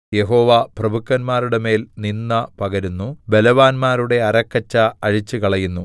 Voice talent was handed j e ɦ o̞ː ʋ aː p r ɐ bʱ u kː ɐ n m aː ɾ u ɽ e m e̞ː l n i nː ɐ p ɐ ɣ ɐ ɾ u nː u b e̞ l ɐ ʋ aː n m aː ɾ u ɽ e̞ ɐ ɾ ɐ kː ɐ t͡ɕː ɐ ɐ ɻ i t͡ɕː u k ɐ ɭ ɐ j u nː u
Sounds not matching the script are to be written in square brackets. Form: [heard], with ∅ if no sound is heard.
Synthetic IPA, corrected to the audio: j e ɦ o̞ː ʋ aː p r ɐ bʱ u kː ɐ n m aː ɾ u ɽ e m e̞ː l n i nː ɐ p ɐ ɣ ɐ ɾ u nː u b e̞ l ɐ ʋ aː n m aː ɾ u ɽ e̞ ɐ ɾ ɐ kː ɐ t͡ɕː ɐ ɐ ɻ i t͡ɕː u k ɐ ɭ ɐ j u nː u